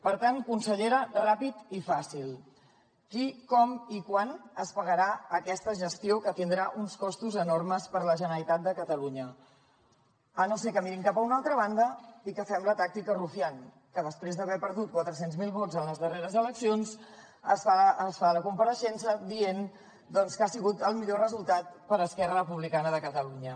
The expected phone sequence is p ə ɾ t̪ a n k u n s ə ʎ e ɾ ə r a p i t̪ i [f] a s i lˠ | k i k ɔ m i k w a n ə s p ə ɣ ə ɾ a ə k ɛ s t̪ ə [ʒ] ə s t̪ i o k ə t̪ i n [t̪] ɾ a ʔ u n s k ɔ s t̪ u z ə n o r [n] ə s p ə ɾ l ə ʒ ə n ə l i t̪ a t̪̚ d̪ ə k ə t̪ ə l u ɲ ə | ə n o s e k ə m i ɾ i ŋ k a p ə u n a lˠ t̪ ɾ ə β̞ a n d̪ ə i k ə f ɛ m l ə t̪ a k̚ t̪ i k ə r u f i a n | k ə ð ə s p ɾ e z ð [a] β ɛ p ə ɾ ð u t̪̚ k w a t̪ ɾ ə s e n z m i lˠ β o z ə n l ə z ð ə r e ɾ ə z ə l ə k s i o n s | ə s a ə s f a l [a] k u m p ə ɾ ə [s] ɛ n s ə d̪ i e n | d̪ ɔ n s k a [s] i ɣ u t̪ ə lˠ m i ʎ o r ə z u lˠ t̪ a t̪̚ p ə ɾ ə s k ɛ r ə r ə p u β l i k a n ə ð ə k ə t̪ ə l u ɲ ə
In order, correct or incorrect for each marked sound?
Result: correct, correct, incorrect, incorrect, incorrect, incorrect, incorrect, correct

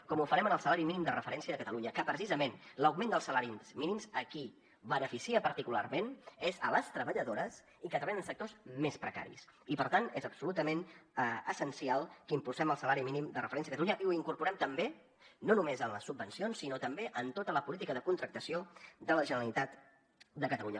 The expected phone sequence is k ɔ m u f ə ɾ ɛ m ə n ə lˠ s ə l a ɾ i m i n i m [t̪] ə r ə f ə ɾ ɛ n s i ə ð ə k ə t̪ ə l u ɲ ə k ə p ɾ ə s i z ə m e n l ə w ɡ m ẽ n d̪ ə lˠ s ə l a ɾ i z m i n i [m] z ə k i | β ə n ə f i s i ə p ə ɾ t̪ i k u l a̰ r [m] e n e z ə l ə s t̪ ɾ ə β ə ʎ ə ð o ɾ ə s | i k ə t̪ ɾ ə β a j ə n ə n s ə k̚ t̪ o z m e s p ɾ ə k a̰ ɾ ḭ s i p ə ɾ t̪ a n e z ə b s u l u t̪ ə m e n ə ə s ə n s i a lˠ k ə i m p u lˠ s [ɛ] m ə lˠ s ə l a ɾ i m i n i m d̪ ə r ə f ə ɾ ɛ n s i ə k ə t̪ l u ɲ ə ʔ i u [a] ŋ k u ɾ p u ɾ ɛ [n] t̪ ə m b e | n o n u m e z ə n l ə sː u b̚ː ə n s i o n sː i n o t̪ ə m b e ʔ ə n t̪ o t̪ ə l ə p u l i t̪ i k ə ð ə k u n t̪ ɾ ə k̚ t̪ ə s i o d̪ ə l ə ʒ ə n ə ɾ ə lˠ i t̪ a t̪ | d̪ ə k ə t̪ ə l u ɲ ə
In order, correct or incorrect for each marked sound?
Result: incorrect, correct, correct, correct, incorrect, incorrect

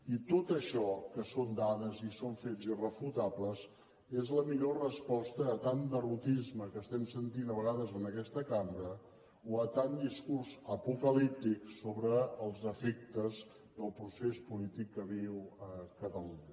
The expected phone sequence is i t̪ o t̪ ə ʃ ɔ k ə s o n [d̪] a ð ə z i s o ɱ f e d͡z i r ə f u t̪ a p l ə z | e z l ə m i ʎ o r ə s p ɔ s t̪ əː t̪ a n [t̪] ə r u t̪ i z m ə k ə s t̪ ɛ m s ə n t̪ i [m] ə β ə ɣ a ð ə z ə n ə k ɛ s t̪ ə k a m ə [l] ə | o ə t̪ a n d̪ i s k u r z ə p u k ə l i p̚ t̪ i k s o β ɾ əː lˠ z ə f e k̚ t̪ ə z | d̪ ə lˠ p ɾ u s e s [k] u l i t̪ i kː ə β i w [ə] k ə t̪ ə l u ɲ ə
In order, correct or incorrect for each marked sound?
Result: correct, incorrect, incorrect, incorrect, incorrect, correct

